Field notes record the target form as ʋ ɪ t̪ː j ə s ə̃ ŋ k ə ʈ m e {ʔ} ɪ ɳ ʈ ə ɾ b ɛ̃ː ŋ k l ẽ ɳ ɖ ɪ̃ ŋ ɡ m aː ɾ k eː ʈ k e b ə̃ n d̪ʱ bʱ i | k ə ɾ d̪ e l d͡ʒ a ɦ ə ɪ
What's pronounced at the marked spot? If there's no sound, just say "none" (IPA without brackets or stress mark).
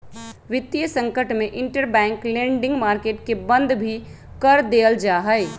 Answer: ʔ